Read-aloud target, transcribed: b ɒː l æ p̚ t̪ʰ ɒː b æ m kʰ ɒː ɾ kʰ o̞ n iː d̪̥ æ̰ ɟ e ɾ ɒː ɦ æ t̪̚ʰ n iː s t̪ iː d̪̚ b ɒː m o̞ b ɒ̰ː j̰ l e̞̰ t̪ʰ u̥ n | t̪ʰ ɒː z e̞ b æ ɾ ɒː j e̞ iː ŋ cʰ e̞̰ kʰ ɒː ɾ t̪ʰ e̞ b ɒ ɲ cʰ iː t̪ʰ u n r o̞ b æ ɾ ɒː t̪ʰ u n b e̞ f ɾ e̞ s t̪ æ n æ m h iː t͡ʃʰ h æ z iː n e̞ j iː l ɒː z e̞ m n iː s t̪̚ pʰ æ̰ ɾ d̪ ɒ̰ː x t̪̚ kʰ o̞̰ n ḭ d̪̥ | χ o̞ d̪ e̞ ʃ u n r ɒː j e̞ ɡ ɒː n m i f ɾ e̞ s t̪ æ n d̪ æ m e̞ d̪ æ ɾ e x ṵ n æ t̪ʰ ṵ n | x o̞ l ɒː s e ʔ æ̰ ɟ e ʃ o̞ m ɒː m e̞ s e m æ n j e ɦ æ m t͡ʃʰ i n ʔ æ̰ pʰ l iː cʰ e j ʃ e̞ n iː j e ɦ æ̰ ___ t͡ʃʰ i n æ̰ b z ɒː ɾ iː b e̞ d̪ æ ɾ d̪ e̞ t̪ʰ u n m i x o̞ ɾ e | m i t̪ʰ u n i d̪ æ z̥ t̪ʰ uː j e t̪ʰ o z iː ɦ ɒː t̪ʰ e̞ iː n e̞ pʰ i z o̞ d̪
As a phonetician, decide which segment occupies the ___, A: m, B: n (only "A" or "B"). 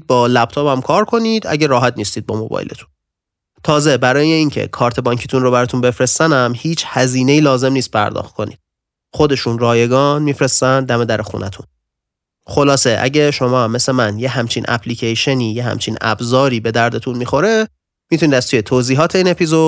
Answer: A